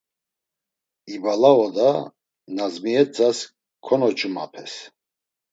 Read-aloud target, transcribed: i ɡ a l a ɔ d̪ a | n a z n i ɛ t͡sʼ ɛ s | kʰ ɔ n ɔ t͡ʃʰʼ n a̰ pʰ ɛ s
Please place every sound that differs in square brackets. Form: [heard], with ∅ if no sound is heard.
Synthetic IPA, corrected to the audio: i [b] a l a ɔ d̪ a | n a z [m] i ɛ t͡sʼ [a] s | kʰ ɔ n ɔ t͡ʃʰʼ [m] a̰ pʰ ɛ s